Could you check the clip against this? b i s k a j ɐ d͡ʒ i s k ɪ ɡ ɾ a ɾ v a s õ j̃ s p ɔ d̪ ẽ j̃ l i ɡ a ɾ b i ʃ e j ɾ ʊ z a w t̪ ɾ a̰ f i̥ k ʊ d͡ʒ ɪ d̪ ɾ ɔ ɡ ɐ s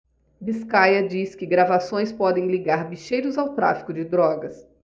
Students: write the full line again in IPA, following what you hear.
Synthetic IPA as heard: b i s k a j ɐ d͡ʒ i s k ɪ ɡ ɾ a v a s õ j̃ s p ɔ d̪ ẽ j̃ l i ɡ a ɾ b i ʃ e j ɾ ʊ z a w t̪ ɾ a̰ f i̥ k ʊ d͡ʒ ɪ d̪ ɾ ɔ ɡ ɐ s